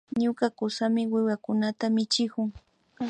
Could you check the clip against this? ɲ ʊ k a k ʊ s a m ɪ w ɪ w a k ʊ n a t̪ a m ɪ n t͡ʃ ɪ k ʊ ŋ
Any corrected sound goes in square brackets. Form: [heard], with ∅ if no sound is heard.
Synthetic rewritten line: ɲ ʊ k a k ʊ s a m ɪ w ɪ w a k ʊ n a t̪ a m ɪ [∅] t͡ʃ ɪ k ʊ ŋ